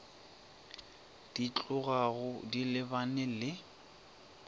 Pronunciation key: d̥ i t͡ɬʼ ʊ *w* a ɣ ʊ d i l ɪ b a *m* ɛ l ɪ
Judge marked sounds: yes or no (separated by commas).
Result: no, no